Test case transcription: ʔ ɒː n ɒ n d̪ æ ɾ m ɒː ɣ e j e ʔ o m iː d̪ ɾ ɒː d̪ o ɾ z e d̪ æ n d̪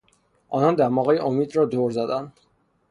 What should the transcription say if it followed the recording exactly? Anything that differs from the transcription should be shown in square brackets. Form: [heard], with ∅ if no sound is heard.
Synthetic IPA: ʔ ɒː n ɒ n d̪ æ ɾ m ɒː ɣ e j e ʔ o m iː d̪ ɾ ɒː d̪ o ɾ z [æ] d̪ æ n d̪